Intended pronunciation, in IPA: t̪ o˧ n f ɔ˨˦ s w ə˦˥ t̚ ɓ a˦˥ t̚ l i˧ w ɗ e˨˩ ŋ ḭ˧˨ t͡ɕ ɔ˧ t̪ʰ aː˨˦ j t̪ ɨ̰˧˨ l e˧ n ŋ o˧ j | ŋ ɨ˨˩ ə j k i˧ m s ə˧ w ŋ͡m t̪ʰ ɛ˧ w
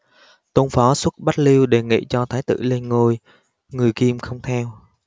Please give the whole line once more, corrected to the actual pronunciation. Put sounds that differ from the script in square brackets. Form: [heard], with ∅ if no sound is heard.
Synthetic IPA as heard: t̪ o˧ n f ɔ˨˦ s w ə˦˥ t̚ ɓ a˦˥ t̚ l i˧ w ɗ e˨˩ ŋ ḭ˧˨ t͡ɕ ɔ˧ t̪ʰ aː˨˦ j t̪ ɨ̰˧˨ l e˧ n ŋ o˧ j | ŋ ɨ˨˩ ə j k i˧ m [x] ə˧ w ŋ͡m t̪ʰ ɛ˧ w